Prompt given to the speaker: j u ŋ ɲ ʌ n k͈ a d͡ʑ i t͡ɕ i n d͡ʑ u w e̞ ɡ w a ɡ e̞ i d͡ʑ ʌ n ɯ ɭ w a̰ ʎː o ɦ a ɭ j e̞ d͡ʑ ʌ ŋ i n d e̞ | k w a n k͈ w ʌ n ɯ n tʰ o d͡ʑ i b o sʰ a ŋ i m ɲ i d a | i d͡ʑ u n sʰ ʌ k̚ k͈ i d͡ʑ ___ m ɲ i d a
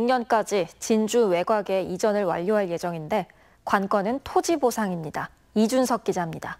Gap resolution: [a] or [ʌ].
a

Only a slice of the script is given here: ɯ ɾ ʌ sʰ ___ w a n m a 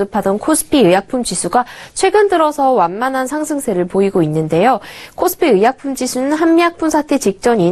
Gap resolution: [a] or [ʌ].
ʌ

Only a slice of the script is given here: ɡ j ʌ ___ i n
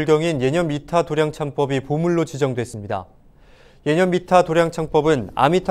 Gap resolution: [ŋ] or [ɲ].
ŋ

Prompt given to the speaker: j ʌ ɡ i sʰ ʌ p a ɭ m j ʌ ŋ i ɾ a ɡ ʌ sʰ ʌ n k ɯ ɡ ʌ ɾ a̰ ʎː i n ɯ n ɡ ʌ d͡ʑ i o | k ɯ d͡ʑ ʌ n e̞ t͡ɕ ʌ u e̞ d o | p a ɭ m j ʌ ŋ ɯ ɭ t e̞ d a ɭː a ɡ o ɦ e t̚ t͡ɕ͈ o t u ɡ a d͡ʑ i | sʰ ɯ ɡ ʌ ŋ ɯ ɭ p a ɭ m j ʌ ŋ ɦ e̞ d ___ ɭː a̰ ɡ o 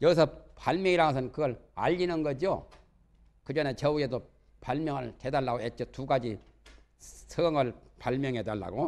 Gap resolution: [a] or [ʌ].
a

